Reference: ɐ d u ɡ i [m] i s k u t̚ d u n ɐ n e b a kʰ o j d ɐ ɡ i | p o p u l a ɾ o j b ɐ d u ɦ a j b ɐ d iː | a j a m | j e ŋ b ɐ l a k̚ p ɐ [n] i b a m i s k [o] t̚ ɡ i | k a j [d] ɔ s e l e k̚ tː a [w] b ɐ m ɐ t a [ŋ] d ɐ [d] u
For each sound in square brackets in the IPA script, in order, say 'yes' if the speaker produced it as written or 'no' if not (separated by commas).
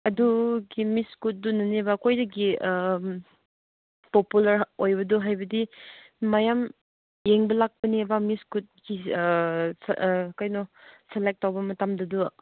yes, yes, no, no, yes, no, yes